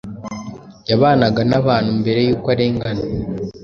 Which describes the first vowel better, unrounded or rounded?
unrounded